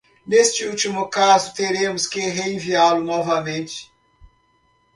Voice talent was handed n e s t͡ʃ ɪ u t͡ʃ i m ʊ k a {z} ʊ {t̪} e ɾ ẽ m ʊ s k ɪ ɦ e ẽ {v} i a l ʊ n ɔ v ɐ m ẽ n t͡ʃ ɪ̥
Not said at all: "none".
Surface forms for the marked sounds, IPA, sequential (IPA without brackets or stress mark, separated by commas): z, t̪, v